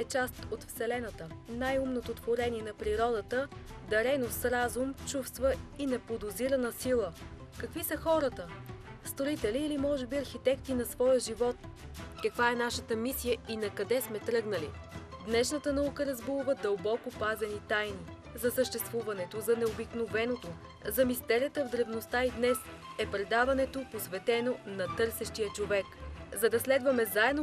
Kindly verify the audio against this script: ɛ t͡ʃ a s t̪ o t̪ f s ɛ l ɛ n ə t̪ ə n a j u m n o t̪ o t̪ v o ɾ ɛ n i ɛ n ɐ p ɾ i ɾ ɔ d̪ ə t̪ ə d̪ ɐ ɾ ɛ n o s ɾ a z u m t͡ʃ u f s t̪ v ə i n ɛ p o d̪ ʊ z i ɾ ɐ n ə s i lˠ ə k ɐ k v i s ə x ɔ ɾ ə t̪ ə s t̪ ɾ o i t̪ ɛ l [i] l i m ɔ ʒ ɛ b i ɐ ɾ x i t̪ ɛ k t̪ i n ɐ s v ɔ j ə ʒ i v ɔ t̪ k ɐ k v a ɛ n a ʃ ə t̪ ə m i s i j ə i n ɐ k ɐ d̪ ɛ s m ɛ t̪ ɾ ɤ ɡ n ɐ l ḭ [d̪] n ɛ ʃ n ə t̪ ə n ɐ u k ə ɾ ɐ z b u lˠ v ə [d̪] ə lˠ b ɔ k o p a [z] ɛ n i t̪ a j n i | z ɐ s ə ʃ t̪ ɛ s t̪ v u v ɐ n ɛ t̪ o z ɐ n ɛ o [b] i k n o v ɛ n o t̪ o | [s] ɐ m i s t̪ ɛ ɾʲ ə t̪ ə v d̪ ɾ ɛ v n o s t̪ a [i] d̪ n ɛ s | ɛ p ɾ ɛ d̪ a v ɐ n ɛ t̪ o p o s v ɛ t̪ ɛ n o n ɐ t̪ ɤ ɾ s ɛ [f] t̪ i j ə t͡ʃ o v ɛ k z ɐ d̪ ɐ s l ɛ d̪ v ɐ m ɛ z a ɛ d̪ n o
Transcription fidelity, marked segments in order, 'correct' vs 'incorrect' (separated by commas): incorrect, correct, correct, correct, correct, incorrect, correct, incorrect